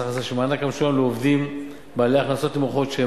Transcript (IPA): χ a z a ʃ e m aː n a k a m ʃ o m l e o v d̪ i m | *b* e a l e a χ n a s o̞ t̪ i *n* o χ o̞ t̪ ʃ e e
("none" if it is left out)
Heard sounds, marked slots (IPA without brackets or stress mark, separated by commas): b, m